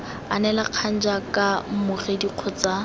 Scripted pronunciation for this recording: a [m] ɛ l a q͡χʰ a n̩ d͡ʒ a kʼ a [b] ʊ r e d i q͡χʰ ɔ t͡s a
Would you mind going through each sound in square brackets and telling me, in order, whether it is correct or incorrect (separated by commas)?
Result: incorrect, incorrect